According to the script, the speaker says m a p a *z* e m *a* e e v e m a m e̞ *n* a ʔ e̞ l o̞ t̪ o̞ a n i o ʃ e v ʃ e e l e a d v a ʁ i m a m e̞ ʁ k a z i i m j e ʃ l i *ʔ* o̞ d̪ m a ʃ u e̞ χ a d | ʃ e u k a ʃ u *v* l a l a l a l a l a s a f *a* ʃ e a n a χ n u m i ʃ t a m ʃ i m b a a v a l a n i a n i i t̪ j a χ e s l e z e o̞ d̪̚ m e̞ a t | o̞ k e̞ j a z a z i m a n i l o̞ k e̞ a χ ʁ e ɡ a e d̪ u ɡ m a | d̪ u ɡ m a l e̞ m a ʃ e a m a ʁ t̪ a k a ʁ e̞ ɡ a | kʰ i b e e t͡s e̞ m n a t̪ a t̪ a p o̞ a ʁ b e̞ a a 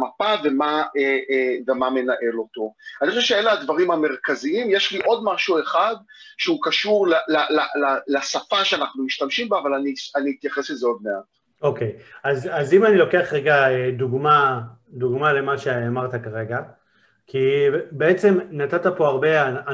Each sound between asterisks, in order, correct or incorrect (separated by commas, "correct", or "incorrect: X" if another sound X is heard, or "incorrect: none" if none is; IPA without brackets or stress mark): incorrect: v, correct, correct, correct, incorrect: ʁ, correct